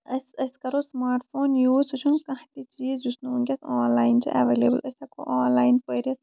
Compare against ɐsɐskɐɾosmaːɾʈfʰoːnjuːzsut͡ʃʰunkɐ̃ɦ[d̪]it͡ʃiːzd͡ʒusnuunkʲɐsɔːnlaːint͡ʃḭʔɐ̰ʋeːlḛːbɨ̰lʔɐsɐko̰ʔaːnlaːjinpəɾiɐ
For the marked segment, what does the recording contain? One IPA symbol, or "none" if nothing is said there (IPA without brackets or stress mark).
t̪